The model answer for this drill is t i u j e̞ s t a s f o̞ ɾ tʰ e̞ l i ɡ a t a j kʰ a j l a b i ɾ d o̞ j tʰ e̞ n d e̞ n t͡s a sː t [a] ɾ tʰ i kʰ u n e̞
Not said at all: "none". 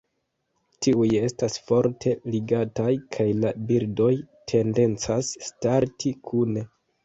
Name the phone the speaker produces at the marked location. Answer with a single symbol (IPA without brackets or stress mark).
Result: a